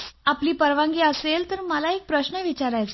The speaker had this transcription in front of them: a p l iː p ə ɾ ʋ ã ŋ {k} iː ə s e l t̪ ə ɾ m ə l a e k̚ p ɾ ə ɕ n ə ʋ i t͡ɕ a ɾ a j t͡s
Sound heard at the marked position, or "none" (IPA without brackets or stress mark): ɡ